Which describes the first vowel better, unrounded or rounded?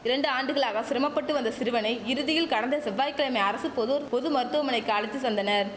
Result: unrounded